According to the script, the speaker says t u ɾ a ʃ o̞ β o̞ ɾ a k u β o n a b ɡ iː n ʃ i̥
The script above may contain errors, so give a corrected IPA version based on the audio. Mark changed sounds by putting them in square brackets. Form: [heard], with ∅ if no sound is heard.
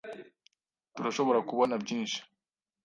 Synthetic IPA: t u ɾ a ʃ o̞ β o̞ ɾ a k u β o n a b [ɟ] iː n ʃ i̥